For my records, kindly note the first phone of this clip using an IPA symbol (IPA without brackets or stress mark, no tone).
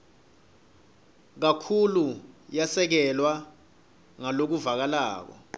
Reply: k̬